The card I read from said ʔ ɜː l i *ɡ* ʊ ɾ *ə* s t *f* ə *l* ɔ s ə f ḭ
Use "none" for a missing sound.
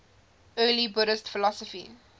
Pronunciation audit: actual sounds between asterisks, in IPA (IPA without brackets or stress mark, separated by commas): b, ə, f, l